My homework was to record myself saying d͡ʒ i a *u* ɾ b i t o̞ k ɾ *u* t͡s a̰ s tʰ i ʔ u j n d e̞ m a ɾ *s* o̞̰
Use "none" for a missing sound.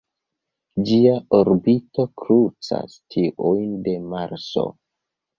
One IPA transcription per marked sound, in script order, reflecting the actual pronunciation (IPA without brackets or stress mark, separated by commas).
o, u, s